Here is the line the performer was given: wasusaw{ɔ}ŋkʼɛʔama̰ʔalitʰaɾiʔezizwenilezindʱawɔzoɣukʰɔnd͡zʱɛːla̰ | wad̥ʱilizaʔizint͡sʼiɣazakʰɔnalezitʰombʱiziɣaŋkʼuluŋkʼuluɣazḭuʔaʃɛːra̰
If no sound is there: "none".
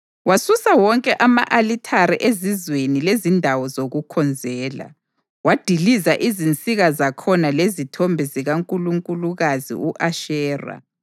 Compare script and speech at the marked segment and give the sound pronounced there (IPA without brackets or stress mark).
ɔ